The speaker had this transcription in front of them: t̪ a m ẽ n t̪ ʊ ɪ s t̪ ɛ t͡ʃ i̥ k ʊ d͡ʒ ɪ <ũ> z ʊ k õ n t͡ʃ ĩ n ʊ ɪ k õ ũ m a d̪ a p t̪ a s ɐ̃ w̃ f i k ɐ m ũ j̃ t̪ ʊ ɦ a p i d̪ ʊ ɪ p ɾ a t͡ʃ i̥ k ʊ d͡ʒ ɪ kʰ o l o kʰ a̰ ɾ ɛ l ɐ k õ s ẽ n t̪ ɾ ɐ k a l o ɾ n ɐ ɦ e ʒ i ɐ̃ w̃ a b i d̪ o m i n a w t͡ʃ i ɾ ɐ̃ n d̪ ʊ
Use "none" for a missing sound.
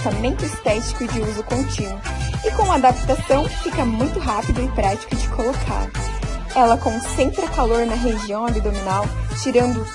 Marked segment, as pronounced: u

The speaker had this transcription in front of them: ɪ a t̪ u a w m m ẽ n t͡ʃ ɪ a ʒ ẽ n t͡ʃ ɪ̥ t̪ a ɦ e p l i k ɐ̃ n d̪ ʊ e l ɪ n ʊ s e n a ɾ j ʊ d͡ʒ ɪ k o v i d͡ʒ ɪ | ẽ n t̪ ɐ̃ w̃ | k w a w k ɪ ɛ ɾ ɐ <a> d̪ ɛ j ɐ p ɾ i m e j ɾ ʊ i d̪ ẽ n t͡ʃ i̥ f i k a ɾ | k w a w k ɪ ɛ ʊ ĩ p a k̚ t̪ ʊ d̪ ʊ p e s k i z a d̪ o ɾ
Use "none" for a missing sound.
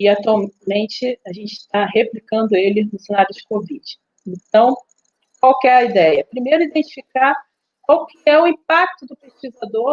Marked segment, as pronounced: i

